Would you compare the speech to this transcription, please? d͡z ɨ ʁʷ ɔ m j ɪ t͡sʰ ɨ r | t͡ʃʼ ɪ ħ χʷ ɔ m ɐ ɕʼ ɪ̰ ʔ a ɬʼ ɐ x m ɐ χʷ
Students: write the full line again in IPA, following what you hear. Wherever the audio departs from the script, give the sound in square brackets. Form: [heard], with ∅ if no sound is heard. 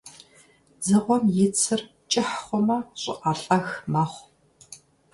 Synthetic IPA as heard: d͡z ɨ ʁʷ ɔ m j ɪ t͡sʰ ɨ r | t͡ʃʼ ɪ ħ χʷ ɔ m ɐ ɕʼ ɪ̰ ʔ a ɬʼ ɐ x m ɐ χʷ